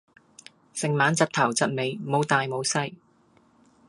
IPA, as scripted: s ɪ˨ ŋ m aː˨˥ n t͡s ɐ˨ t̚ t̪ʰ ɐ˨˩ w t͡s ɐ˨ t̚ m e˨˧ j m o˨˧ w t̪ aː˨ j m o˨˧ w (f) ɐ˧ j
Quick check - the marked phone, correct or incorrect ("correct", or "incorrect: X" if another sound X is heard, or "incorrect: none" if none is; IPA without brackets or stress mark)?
incorrect: s